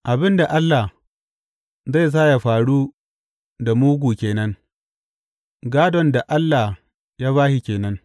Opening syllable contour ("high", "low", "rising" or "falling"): low